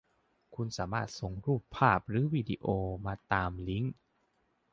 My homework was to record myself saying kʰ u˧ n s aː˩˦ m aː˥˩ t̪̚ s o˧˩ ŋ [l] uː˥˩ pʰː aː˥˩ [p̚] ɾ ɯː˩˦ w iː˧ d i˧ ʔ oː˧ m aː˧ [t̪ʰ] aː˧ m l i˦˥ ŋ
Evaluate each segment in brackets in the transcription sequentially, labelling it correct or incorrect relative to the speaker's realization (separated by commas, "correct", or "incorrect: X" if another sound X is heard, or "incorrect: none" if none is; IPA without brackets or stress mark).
incorrect: ɾ, correct, incorrect: t̪